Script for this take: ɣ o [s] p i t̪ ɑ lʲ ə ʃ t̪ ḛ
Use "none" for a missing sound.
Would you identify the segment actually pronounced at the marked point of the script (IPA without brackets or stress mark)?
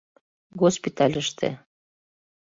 s